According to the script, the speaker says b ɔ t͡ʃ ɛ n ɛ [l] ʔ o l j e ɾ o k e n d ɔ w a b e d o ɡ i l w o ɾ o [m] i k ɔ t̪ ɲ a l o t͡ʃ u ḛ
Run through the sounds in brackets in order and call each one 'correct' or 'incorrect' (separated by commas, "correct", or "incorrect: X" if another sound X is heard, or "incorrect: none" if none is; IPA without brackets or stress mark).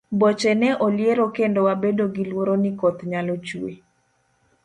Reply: incorrect: none, incorrect: n